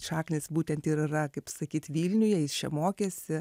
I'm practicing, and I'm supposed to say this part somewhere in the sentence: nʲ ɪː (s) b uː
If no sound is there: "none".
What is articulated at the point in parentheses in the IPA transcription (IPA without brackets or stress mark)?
s